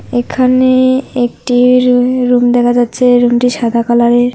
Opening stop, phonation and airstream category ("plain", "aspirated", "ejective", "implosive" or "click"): aspirated